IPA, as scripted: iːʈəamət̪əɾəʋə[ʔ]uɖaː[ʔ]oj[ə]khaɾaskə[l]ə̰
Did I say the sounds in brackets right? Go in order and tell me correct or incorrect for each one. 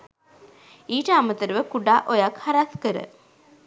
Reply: incorrect, correct, incorrect, incorrect

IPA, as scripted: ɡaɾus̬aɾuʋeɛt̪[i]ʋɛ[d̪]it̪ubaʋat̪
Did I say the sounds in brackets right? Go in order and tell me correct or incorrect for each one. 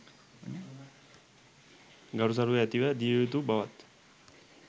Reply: correct, correct

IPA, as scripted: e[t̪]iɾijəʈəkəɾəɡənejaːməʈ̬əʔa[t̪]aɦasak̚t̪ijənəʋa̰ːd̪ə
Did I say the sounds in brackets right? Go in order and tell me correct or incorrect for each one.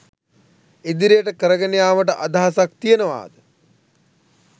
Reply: incorrect, incorrect

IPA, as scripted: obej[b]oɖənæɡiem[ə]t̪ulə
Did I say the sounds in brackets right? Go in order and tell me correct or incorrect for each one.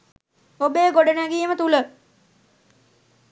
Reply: incorrect, correct

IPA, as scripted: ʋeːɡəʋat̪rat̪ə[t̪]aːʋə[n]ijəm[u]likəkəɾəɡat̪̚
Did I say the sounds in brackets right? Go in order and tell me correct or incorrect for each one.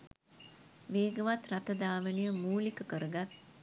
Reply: incorrect, correct, incorrect

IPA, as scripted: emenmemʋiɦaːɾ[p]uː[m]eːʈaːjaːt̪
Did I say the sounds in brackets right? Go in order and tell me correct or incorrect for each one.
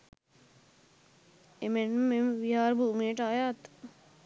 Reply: incorrect, correct

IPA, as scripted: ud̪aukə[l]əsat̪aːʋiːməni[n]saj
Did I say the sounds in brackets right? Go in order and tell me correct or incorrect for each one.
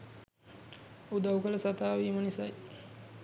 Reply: correct, incorrect

